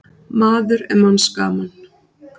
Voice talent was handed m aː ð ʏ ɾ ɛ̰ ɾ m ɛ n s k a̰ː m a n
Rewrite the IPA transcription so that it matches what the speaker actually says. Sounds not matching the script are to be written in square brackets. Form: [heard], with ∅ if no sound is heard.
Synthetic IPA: m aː ð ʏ ɾ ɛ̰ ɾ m [a] n s k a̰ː m a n